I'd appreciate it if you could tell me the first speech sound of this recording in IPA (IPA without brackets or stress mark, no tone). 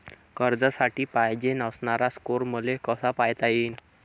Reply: k